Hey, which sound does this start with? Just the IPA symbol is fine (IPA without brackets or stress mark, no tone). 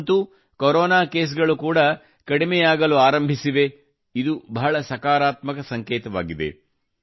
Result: t̪